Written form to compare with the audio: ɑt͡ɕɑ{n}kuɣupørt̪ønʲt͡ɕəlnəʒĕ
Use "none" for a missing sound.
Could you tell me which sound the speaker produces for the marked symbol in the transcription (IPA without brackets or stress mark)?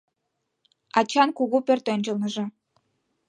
n